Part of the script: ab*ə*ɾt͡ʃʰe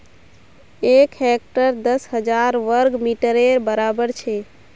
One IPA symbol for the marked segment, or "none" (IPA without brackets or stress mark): ə